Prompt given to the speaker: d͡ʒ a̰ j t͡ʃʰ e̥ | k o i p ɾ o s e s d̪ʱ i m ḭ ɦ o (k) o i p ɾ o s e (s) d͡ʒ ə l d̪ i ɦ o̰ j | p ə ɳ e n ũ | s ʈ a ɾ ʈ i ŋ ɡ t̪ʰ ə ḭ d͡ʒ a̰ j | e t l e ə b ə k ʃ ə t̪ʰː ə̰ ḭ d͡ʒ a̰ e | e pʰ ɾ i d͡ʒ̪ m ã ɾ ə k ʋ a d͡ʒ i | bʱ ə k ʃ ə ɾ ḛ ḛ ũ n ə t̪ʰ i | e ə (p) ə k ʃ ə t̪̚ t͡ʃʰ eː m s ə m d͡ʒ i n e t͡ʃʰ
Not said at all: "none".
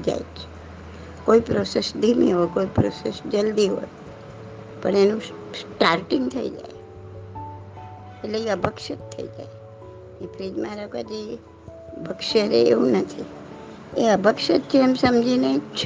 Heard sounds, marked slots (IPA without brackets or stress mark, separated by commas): k, s, b